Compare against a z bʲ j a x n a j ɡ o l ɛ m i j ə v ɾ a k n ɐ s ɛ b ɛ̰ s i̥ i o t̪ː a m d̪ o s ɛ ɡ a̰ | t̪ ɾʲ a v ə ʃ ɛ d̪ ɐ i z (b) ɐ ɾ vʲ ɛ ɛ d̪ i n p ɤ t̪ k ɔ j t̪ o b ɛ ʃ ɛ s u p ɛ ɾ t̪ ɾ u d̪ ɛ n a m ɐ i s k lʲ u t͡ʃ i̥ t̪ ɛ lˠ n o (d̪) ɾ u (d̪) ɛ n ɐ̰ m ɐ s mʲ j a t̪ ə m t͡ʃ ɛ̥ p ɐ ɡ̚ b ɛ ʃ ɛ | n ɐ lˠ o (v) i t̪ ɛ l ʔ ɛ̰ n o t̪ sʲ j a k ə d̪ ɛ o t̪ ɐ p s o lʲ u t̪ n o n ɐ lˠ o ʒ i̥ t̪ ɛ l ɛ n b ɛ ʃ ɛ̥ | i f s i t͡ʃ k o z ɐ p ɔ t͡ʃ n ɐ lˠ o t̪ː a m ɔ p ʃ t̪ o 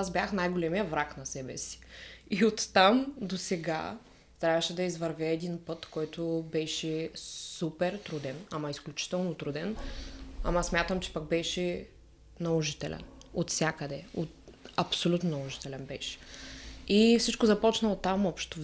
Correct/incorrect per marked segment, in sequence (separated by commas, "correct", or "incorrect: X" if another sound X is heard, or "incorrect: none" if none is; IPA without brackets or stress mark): incorrect: v, incorrect: t̪, correct, incorrect: ʒ